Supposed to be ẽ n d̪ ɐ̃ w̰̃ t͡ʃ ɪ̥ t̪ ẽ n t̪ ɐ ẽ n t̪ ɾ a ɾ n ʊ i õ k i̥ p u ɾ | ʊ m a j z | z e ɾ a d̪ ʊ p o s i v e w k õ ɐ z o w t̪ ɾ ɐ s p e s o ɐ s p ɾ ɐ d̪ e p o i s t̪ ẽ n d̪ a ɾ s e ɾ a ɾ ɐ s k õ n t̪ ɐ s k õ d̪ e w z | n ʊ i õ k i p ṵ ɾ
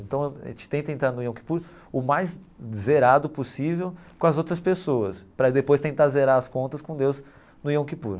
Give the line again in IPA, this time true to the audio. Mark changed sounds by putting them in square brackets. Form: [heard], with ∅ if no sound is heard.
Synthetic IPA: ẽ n [t̪] ɐ̃ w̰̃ t͡ʃ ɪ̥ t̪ ẽ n t̪ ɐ ẽ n t̪ ɾ a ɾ n ʊ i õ k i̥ p u ɾ | ʊ m a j z | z e ɾ a d̪ ʊ p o s i v e w k õ ɐ z o w t̪ ɾ ɐ s p e s o ɐ s p ɾ ɐ d̪ e p o [j] s t̪ ẽ n [t̪] a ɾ [z] e ɾ a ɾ ɐ s k õ n t̪ ɐ s k õ d̪ e w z | n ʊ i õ k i p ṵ ɾ